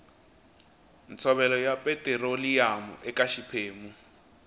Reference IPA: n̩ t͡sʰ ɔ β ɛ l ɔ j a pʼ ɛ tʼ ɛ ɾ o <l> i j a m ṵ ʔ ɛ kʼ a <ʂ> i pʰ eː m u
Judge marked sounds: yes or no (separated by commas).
yes, no